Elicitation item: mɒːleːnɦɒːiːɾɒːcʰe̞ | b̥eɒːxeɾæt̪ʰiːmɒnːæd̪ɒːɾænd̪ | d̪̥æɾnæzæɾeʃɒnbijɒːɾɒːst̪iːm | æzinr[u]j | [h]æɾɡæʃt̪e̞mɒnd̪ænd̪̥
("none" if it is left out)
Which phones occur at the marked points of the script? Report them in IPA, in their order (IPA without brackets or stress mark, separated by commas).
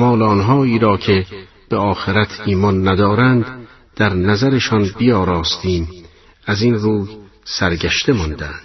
uː, s